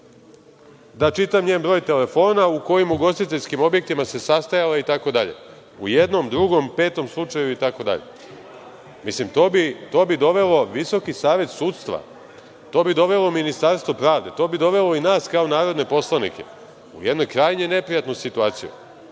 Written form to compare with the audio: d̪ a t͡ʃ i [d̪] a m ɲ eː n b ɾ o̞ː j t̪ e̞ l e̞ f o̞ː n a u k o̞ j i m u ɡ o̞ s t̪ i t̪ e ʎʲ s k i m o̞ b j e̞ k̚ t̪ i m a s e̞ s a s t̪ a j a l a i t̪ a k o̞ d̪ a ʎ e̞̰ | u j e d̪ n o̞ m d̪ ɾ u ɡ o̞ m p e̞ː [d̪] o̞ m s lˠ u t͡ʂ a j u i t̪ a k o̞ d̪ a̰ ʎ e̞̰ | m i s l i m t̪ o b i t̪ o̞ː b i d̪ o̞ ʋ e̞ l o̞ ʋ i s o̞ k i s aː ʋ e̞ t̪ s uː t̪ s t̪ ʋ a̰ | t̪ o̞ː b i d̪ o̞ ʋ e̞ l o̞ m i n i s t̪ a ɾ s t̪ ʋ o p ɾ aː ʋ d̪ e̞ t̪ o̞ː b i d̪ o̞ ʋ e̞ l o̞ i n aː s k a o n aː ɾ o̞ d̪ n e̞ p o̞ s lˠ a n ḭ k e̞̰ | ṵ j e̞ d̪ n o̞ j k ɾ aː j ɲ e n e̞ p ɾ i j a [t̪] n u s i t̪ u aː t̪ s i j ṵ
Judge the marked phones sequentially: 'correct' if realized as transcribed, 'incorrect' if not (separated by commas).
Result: incorrect, incorrect, correct